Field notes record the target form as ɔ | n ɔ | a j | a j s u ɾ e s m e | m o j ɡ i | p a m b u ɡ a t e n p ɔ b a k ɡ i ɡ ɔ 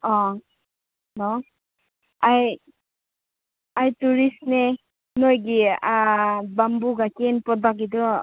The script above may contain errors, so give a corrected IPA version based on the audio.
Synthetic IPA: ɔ | n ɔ | a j | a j t u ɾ i s n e | n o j ɡ i | b a m b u ɡ a k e n p ɔ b a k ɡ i d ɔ